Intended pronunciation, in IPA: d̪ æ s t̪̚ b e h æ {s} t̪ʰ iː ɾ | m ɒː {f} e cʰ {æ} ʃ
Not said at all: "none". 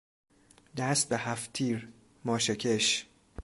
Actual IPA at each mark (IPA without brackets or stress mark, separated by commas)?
f, ʃ, e